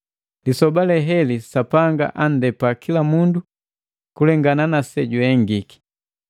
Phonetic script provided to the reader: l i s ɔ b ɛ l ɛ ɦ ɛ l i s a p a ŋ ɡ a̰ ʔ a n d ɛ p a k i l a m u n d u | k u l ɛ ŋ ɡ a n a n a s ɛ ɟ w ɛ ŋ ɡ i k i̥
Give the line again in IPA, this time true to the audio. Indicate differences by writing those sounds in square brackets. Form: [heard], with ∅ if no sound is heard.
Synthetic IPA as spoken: l i s ɔ b [a] l ɛ ɦ ɛ l i s a p a ŋ ɡ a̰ ʔ a n d ɛ p a k i l a m u n d u | k u l ɛ ŋ ɡ a n a n a s ɛ ɟ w ɛ ŋ ɡ i k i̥